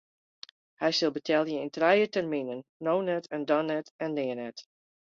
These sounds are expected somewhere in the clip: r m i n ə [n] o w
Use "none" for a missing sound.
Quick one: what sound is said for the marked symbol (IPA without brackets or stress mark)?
nː